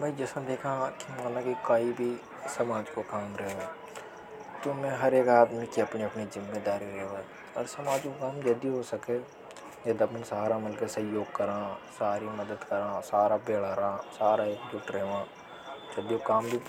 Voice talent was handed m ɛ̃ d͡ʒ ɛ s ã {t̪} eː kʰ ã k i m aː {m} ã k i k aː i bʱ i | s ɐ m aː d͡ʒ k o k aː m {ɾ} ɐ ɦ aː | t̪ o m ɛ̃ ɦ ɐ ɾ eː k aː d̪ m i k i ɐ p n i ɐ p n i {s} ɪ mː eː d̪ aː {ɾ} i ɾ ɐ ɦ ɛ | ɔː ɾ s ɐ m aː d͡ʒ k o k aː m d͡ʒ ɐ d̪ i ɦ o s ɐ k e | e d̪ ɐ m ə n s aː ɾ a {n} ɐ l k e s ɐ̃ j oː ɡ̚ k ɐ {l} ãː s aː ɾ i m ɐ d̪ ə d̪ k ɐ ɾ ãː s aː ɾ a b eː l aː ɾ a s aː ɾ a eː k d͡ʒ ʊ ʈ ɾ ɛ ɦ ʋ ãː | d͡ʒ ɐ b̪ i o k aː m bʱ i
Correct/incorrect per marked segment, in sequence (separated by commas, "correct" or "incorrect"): incorrect, incorrect, correct, incorrect, correct, incorrect, incorrect